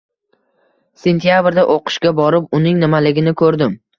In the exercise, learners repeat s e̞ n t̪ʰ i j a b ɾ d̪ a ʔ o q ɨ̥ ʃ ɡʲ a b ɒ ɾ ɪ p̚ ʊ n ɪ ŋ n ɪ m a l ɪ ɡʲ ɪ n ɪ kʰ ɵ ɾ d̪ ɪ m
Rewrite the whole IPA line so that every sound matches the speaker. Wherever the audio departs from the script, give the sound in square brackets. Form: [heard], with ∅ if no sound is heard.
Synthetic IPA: s e̞ n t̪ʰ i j a b ɾ d̪ a ʔ o q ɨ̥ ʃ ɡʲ a b ɒ ɾ ɪ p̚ ʊ n ɪ ŋ n ɪ m a l ɪ ɡʲ ɪ n ɪ kʰ ɵ ɾ d̪ ɪ m